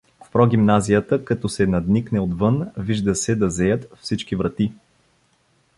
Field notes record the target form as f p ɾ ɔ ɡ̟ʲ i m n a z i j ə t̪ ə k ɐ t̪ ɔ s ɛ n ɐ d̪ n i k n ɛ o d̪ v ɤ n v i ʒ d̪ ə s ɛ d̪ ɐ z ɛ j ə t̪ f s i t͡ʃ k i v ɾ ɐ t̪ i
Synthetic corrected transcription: f p ɾ ɔ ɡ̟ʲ i m n a z i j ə t̪ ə k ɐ t̪ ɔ s ɛ n ɐ d̪ n i k n ɛ o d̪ v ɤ n v i ʒ d̪ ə s ɛ d̪ ɐ z ɛ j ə t̪ f s i t͡ʃ k i v ɾ ɐ t̪ i